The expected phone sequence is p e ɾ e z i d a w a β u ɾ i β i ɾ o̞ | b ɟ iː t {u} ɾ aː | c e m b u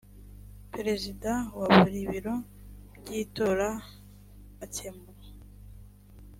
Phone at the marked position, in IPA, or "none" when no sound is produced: o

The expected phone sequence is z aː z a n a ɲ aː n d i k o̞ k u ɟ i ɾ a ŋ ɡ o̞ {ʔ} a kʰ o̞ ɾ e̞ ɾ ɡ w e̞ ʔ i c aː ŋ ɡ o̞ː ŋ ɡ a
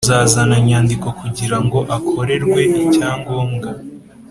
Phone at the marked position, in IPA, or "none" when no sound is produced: ʔ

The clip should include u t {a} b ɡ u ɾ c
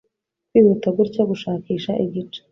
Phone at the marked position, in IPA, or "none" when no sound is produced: a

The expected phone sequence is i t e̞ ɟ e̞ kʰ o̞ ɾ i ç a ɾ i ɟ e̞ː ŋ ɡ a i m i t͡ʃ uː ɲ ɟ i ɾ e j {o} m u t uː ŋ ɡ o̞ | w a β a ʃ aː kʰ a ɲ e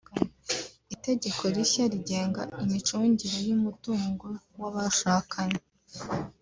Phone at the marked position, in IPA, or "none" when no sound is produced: u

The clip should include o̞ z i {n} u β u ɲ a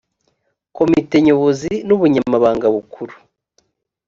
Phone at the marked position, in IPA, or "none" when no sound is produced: n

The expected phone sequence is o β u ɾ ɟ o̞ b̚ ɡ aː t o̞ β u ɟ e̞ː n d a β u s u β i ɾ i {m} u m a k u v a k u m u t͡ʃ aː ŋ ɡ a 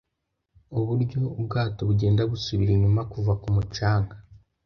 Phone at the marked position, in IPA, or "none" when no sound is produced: ɲ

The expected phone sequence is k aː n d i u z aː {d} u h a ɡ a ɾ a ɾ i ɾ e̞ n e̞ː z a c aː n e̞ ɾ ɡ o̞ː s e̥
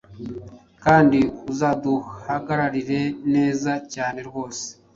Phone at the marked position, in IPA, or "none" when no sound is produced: d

